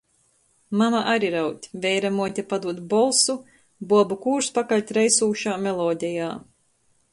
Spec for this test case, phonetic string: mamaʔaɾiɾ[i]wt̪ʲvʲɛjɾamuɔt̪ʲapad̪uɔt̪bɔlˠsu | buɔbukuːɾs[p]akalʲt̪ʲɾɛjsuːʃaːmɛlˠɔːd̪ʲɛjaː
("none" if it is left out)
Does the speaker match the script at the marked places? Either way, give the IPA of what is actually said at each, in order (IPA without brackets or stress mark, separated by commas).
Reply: a, p